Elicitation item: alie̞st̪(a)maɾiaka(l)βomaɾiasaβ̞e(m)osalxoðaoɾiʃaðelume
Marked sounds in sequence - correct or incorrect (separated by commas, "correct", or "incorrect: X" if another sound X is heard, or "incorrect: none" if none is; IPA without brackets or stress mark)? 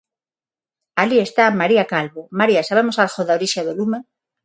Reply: correct, correct, correct